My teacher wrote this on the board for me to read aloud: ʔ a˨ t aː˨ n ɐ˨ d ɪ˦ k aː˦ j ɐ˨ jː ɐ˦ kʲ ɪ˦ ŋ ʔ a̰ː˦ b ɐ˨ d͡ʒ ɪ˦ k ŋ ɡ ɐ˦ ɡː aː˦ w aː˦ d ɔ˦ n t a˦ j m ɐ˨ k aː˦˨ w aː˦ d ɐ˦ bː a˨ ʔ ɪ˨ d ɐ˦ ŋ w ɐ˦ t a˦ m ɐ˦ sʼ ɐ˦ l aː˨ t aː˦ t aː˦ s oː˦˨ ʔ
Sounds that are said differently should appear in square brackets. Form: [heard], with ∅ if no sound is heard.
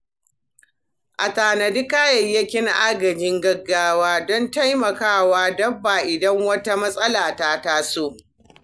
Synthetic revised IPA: ʔ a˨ t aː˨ n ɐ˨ d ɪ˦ k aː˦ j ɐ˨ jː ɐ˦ kʲ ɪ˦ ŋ ʔ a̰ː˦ [ɡ] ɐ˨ d͡ʒ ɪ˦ [∅] ŋ ɡ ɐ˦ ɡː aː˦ w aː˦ d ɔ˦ n t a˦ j m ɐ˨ k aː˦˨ w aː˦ d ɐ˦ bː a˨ ʔ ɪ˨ d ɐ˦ ŋ w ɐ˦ t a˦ m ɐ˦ sʼ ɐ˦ l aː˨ t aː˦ t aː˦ s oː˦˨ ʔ

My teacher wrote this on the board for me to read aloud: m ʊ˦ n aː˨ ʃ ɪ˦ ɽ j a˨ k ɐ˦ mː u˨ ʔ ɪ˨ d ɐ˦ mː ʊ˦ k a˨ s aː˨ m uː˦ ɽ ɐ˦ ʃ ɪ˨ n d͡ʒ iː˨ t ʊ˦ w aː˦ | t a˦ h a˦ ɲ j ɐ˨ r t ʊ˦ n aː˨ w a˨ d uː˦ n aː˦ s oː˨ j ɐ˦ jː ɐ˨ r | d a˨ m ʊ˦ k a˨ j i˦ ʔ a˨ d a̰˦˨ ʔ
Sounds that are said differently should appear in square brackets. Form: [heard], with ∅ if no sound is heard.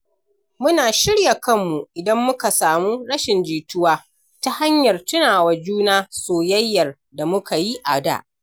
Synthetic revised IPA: m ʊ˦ n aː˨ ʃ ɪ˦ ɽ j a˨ k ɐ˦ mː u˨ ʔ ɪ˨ d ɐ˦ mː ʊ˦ k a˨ s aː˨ m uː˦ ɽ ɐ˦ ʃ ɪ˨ n d͡ʒ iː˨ t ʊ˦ w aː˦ | t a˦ h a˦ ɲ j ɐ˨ r t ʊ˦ n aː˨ w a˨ [d͡ʒ] uː˦ n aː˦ s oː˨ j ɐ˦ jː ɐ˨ r | d a˨ m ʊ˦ k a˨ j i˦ ʔ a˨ d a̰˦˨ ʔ

